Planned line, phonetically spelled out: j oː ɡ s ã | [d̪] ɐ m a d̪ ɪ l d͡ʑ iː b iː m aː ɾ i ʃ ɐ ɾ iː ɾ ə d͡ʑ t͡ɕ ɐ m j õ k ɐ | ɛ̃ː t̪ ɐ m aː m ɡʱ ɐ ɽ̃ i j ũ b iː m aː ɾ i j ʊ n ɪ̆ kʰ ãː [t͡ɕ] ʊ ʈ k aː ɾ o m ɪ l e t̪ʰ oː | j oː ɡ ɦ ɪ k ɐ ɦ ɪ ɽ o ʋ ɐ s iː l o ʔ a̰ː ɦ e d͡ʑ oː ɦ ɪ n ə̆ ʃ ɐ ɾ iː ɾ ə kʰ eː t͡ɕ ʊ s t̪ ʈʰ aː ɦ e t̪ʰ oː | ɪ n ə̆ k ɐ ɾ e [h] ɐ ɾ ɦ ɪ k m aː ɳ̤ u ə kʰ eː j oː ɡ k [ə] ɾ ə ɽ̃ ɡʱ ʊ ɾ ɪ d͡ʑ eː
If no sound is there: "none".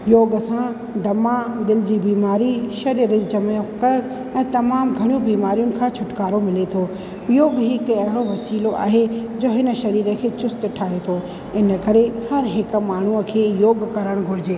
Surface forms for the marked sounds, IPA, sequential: d̪, t͡ɕʰ, h, ɐ

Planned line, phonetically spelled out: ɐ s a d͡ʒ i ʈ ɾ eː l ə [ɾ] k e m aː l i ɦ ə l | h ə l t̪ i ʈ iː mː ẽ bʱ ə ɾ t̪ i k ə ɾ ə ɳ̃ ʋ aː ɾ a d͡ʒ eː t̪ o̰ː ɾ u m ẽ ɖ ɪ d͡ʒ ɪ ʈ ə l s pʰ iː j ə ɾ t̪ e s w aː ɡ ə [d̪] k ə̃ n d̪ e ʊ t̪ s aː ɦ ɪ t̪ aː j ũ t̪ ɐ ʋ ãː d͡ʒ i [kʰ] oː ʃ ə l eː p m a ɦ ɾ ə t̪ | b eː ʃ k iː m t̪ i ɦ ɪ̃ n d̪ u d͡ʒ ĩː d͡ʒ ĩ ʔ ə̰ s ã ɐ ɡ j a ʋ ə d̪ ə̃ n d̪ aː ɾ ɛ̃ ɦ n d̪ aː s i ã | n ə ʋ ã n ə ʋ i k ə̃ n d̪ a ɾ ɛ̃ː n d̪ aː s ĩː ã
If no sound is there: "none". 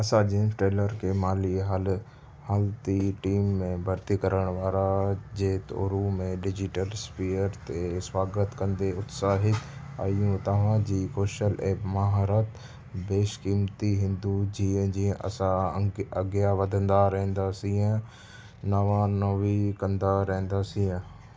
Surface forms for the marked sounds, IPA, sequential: ɾ, t̪, k

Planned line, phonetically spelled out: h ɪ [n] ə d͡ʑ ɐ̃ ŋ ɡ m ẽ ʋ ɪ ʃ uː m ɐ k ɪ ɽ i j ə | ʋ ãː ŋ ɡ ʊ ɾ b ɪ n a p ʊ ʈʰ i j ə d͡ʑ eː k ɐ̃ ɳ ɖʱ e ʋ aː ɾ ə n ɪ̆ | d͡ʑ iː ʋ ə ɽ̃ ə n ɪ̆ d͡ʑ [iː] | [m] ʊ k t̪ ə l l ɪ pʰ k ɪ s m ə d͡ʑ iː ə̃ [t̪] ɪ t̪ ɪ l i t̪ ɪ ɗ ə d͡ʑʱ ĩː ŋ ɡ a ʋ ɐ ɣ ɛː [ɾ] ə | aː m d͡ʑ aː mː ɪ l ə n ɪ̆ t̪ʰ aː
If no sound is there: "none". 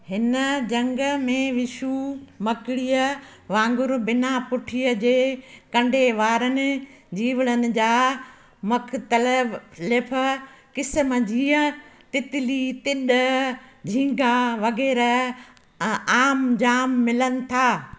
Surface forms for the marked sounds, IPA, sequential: n, aː, m, t̪, ɾ

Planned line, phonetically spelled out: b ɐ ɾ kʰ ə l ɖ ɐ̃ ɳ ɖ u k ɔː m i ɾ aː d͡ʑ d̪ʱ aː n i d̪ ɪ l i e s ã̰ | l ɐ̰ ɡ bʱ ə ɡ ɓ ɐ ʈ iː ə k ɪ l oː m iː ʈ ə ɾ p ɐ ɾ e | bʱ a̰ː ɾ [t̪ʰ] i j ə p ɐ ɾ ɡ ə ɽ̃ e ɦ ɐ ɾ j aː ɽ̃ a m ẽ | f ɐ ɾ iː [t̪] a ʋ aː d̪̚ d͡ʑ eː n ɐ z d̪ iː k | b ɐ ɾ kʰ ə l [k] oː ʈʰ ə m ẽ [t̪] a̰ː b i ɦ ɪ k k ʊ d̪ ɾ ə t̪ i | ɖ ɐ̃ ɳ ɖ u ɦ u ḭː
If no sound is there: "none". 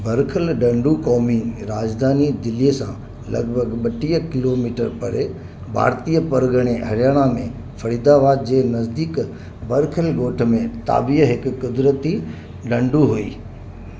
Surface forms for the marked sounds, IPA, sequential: t̪, d̪, ɡ, t̪

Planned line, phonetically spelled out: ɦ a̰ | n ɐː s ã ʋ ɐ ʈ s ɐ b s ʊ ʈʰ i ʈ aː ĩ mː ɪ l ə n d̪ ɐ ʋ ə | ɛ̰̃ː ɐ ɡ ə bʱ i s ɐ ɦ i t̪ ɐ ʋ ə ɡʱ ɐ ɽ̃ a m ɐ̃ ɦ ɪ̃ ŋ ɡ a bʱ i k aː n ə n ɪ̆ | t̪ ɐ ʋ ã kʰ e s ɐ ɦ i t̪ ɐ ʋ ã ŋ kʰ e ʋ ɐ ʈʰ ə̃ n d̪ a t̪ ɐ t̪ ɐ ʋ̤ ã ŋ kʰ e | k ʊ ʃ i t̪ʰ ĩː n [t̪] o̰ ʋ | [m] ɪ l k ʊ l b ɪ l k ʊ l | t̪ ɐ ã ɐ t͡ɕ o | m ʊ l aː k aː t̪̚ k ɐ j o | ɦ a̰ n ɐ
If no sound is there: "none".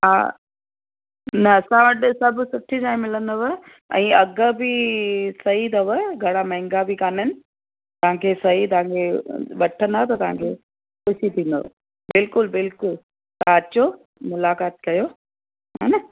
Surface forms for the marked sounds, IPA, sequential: d̪, b

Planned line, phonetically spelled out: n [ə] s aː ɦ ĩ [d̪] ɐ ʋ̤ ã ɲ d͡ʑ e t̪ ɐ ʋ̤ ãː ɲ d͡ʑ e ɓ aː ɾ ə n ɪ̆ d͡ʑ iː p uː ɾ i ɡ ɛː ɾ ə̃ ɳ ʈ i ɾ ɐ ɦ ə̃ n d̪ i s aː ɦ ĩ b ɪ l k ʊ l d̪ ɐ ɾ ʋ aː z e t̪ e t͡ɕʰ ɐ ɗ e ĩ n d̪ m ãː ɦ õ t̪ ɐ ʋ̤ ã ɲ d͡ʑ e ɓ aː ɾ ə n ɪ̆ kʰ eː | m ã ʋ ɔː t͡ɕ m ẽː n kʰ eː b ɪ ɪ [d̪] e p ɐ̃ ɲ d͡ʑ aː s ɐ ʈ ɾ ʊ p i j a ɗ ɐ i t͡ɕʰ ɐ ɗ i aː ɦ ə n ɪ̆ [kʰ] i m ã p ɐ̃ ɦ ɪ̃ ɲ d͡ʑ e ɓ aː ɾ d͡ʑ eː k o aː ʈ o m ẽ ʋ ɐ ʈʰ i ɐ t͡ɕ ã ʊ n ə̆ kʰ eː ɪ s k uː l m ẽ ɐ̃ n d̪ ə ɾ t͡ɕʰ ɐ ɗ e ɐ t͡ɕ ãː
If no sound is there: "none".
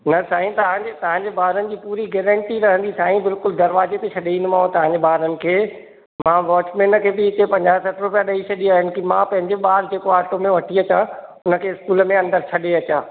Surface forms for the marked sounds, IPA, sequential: ɐ, t̪, t̪, k

